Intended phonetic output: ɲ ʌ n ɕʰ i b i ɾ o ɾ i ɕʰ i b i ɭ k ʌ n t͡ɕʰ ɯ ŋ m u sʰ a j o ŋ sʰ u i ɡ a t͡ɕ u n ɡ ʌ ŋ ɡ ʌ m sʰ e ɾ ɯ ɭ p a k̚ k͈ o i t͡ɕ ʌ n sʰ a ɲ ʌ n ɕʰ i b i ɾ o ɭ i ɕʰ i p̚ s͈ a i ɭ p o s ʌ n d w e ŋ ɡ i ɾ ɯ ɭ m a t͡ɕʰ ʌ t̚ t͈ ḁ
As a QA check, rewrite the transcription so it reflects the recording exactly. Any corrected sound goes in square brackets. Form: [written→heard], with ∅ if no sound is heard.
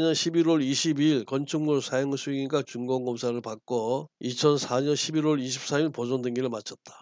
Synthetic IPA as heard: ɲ ʌ n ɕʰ i b i ɾ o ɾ i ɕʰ i b i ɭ k ʌ n t͡ɕʰ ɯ ŋ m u sʰ a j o ŋ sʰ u i ɡ a t͡ɕ u [n→ŋ] ɡ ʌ ŋ ɡ ʌ m sʰ [e→a] ɾ ɯ ɭ p a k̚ k͈ o i [t͡ɕ→t͡ɕʰ] ʌ n sʰ a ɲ ʌ n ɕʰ i b i ɾ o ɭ i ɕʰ i p̚ s͈ a i ɭ p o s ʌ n d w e ŋ ɡ i ɾ ɯ ɭ m a t͡ɕʰ ʌ t̚ t͈ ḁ